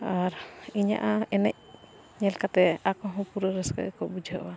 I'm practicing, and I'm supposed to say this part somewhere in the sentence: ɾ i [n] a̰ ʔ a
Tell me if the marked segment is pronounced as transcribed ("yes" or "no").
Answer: no